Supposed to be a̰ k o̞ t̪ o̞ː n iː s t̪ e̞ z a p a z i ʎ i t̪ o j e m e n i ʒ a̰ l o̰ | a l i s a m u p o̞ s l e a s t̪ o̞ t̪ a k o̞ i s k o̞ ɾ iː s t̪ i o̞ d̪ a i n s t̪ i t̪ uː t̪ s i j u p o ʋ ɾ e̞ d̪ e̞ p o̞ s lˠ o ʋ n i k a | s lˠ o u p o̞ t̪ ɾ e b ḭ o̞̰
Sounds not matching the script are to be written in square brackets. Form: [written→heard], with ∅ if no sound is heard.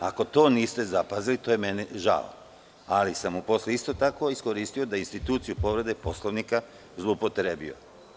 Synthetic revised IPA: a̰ k o̞ t̪ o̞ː n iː s t̪ e̞ z a p a z i [ʎ→l] i t̪ o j e m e n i ʒ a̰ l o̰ | a l i s a m u p o̞ s l e [a→i] s t̪ o̞ t̪ a k o̞ i s k o̞ ɾ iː s t̪ i o̞ d̪ a i n s t̪ i t̪ uː t̪ s i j u p o ʋ ɾ e̞ d̪ e̞ p o̞ s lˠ o ʋ n i k a | [s→z] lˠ o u p o̞ t̪ ɾ e b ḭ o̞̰